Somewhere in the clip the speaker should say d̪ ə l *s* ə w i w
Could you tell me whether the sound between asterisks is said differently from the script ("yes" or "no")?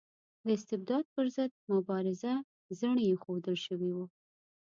yes